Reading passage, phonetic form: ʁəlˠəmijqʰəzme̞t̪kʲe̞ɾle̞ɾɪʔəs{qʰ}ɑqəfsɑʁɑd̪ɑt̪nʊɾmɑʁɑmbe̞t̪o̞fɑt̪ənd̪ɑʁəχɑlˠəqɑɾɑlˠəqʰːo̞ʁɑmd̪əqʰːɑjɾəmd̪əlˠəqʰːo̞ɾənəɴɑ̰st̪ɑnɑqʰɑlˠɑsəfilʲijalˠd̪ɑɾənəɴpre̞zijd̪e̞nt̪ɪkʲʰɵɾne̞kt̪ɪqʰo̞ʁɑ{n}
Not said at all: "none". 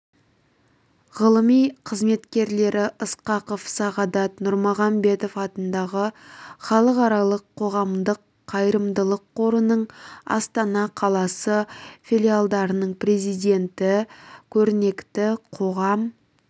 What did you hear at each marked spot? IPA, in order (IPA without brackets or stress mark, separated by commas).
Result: q, m